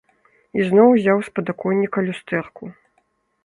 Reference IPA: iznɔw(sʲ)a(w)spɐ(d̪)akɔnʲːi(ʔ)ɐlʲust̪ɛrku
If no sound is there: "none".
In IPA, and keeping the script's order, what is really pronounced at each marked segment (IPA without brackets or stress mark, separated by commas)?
zʲ, w, d̪, k